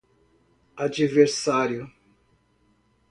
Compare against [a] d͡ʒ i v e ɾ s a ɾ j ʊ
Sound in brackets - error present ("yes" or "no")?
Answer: no